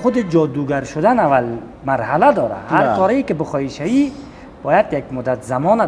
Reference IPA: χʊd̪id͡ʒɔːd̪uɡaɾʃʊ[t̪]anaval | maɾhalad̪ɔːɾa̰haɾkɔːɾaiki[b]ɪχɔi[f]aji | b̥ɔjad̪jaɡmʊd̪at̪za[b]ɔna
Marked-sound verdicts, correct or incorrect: incorrect: d̪, correct, incorrect: ʃ, incorrect: m

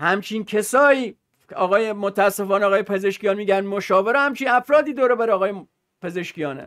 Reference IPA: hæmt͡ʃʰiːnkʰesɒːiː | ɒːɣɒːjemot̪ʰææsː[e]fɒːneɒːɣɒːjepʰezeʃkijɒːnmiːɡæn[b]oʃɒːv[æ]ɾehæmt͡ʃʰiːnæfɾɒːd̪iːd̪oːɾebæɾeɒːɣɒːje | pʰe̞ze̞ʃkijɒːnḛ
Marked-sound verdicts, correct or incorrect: correct, incorrect: m, incorrect: e

